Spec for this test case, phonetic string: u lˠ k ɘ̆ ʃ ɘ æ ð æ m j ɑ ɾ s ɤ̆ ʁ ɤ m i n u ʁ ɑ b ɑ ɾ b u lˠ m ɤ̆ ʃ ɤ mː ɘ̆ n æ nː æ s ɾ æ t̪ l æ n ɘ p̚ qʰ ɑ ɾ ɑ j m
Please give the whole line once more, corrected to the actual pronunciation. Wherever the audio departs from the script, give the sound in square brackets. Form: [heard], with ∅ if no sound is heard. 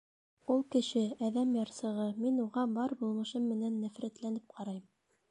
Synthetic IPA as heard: u lˠ k ɘ̆ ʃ ɘ æ ð æ m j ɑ ɾ s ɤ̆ ʁ ɤ m i n u ʁ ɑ b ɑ ɾ b u lˠ m ɤ̆ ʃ ɤ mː ɘ̆ n æ nː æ [f] ɾ æ t̪ l æ n ɘ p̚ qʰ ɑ ɾ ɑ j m

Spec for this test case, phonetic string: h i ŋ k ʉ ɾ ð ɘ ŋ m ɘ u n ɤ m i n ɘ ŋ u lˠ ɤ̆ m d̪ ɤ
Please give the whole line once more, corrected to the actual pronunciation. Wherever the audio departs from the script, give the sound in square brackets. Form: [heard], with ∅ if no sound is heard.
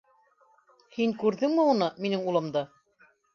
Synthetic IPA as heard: h i ŋ k ʉ ɾ ð ɘ ŋ m ɘ u n ɤ m i n ɘ ŋ u lˠ ɤ̆ m d̪ ɤ

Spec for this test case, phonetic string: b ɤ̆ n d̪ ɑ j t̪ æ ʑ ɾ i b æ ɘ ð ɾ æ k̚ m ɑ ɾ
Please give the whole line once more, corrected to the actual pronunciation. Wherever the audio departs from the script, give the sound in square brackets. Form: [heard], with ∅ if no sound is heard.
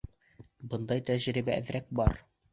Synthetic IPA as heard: b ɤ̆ n d̪ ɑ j t̪ æ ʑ ɾ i b æ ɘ ð ɾ æ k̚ [b] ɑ ɾ

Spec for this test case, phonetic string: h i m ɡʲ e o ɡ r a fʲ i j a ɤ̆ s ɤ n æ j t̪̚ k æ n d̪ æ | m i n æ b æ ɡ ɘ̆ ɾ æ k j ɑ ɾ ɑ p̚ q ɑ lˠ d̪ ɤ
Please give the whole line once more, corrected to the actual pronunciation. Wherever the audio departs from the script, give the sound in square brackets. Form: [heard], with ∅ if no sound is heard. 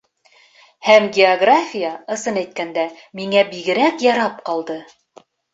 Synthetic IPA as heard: h [æ] m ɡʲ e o ɡ r a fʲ i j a ɤ̆ s ɤ n æ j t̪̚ k æ n d̪ æ | m i [ŋ] æ b [i] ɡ ɘ̆ ɾ æ k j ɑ ɾ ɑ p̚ q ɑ lˠ d̪ ɤ

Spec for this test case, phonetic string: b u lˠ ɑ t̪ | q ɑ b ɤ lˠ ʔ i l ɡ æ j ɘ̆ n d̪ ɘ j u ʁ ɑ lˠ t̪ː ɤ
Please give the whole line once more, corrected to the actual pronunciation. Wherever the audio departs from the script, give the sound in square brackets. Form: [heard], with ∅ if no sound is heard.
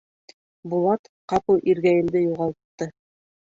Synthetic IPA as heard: b u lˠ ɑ t̪ | q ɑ [p] ɤ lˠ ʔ i [ɾ] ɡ æ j ɘ̆ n d̪ ɘ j u ʁ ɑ lˠ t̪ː ɤ

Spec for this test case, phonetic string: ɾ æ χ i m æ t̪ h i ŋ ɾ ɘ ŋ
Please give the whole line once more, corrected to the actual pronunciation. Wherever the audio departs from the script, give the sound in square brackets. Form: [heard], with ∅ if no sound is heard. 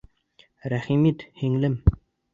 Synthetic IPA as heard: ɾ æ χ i m [i] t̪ h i ŋ [l] ɘ [m]

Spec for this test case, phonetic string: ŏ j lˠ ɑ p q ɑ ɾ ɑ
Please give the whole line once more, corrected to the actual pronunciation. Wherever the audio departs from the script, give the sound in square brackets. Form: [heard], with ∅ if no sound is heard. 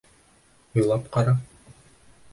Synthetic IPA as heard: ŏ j lˠ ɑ p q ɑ ɾ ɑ

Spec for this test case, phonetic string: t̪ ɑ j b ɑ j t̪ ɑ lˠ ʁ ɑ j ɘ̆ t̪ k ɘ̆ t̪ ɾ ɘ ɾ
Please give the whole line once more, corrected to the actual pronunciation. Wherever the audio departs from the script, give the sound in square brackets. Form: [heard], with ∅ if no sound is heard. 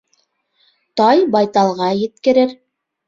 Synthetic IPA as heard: t̪ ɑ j b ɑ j t̪ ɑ lˠ ʁ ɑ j ɘ̆ t̪ k ɘ̆ [∅] ɾ ɘ ɾ

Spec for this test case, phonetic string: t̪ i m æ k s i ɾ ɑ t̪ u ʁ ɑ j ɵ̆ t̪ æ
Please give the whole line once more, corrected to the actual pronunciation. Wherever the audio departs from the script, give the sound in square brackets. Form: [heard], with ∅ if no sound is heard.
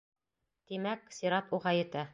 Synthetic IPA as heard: t̪ i m æ k s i ɾ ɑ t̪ u ʁ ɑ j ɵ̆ t̪ æ

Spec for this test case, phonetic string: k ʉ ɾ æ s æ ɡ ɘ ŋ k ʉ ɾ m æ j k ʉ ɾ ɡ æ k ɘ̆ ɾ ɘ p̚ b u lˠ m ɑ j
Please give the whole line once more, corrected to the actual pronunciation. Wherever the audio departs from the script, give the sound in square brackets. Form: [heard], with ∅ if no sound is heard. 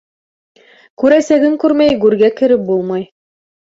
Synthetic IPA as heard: k ʉ ɾ æ s æ ɡ ɘ ŋ k ʉ ɾ m æ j [ɡ] ʉ ɾ ɡ æ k ɘ̆ ɾ ɘ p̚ b u lˠ m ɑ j

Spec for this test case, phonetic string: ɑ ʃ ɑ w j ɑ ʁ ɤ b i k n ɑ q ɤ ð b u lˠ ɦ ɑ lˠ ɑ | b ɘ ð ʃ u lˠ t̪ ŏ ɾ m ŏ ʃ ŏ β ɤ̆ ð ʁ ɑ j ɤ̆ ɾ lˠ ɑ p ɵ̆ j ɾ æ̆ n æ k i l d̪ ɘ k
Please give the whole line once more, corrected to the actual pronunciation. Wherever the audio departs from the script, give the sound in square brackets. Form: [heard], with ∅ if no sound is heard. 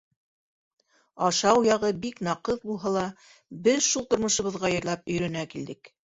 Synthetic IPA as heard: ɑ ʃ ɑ w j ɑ ʁ ɤ b i k n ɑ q ɤ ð b u lˠ ɦ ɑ lˠ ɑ | b ɘ ð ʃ u lˠ t̪ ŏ ɾ m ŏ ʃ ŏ β ɤ̆ ð ʁ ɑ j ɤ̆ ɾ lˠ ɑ p ɵ̆ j ɾ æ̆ n æ k i l d̪ ɘ k

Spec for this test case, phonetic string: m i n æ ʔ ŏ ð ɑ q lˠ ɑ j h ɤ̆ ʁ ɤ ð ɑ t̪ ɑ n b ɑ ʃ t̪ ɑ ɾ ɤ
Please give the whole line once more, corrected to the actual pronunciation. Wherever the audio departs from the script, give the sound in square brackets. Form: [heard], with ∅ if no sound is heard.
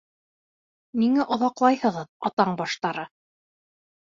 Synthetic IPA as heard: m i [ŋ] æ ʔ ŏ ð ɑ q lˠ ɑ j h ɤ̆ ʁ ɤ ð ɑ t̪ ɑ [ɴ] b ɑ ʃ t̪ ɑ ɾ ɤ

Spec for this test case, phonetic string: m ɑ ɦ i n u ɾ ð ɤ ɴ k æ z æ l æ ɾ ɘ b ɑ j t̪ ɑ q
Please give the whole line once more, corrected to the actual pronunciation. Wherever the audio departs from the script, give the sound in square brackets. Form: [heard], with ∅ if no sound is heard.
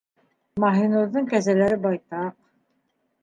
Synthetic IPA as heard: m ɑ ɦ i n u ɾ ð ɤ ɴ k æ z æ l æ ɾ ɘ b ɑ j t̪ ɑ q

